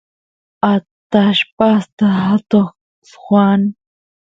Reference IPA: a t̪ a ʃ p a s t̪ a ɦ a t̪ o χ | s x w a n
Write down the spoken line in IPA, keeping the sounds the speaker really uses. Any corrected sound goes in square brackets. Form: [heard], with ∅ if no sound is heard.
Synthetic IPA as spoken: a t̪ a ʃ p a s t̪ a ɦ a t̪ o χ | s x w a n